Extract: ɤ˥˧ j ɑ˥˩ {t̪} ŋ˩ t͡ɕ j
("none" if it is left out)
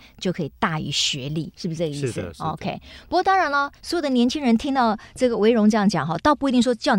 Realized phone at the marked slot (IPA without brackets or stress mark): none